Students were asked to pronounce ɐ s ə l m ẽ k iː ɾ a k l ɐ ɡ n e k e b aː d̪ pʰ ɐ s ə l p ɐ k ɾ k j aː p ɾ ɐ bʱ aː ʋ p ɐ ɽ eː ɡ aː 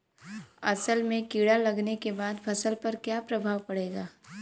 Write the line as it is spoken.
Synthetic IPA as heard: ɐ s ə l m ẽ k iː ɽ a l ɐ ɡ n e k e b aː d̪ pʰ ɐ s ə l p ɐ ɾ k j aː p ɾ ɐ bʱ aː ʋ p ɐ ɽ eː ɡ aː